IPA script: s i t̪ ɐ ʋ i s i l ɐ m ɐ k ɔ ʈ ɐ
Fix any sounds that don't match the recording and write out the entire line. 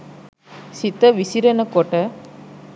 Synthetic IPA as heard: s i t̪ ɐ ʋ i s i ɾ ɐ n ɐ k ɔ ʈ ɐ